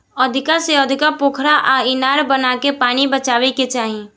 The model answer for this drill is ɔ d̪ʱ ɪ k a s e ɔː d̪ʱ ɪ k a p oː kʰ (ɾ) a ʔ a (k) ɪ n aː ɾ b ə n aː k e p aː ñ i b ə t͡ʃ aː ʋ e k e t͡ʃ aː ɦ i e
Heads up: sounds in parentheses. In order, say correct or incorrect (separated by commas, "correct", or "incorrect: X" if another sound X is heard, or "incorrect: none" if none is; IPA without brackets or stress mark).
correct, incorrect: none